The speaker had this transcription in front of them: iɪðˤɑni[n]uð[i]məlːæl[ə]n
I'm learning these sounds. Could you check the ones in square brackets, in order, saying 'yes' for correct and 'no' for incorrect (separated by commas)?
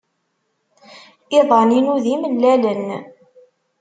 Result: yes, yes, yes